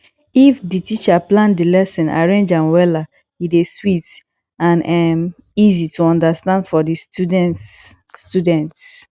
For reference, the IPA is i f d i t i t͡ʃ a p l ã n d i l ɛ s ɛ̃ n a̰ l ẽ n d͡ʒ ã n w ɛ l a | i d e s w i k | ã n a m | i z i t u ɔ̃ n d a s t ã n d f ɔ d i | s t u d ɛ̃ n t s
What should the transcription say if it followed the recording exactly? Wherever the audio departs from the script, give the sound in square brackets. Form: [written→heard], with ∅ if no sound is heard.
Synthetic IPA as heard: i f d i t i t͡ʃ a p l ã n d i l ɛ s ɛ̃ n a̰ [l→ɹ] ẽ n d͡ʒ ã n w ɛ l a | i d e s w i [k→t] | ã n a m | i z i t u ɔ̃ n d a s t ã n d f ɔ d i | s t u d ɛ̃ n t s